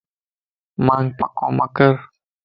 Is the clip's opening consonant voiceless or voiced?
voiced